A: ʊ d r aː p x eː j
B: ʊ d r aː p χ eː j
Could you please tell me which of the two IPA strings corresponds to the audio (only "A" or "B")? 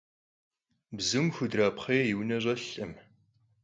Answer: B